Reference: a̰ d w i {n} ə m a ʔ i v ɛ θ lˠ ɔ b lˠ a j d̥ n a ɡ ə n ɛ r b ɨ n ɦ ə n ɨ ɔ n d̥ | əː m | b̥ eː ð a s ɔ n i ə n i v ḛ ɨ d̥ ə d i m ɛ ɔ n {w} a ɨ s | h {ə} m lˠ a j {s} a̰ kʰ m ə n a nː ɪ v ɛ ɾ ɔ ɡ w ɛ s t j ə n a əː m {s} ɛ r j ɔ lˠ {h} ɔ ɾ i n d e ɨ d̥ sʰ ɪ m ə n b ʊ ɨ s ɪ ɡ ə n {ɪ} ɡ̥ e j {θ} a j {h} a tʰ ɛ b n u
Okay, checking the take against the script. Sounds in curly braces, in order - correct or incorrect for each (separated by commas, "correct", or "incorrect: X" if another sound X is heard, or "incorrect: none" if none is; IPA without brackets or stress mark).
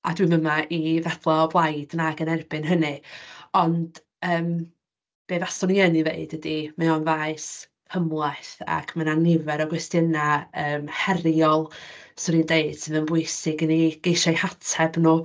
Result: incorrect: m, incorrect: v, correct, incorrect: θ, incorrect: h, incorrect: s, incorrect: i, incorrect: ʃ, correct